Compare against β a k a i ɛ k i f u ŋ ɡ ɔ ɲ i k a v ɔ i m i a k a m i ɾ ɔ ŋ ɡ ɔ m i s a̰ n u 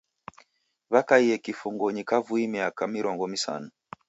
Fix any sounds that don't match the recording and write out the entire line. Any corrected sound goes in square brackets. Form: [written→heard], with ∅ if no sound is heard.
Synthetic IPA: β a k a i ɛ k i f u ŋ ɡ ɔ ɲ i k a v [ɔ→u] i m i a k a m i ɾ ɔ ŋ ɡ ɔ m i s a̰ n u